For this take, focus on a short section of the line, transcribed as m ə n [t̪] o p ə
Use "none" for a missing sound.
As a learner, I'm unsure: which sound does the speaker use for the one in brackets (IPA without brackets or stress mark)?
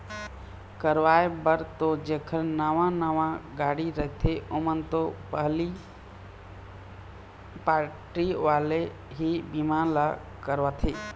t̪